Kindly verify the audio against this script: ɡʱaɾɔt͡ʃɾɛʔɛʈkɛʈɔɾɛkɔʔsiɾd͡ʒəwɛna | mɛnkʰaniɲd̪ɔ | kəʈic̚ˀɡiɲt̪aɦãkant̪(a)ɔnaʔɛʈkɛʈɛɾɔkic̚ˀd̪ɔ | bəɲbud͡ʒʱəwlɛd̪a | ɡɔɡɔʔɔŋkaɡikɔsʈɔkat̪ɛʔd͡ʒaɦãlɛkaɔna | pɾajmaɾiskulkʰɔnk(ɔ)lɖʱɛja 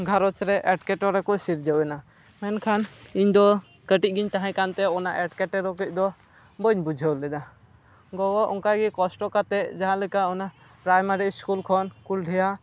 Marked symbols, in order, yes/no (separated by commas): no, no